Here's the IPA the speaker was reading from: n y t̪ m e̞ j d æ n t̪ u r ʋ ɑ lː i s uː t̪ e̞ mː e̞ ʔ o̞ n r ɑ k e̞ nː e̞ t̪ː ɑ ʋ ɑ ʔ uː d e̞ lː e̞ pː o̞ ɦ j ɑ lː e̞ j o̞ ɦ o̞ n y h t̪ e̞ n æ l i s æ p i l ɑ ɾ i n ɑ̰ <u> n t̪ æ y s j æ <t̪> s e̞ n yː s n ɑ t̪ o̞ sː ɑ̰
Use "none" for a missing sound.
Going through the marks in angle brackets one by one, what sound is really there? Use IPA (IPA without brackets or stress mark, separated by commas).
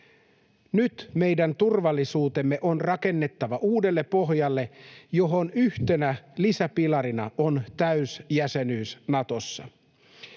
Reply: o, none